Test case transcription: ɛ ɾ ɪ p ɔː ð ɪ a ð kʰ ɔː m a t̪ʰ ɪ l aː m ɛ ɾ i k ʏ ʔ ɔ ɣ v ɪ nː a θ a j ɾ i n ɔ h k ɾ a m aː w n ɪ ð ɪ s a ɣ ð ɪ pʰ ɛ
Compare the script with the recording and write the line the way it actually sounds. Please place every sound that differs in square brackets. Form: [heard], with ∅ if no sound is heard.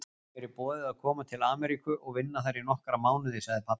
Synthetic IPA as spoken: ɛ ɾ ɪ p ɔː ð ɪ a ð kʰ ɔː m a t̪ʰ ɪ l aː m ɛ ɾ i k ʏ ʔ ɔ ɣ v ɪ nː a θ a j ɾ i n ɔ h k ɾ a m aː w n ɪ ð ɪ s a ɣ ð ɪ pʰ [a]